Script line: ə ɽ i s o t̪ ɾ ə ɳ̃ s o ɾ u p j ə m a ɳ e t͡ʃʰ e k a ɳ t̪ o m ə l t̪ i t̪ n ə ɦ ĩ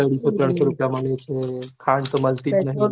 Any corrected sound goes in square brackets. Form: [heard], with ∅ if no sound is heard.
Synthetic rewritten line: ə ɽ i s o t̪ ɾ ə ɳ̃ s o ɾ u p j [a] m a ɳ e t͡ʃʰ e [kʰ] a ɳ t̪ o m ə l t̪ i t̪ n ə ɦ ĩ